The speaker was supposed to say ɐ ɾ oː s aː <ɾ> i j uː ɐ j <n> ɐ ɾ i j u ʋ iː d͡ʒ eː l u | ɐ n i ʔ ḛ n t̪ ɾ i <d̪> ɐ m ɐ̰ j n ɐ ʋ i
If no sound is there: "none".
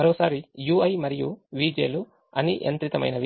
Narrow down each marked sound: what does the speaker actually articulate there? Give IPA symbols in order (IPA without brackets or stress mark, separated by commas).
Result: ɾ, m, t̪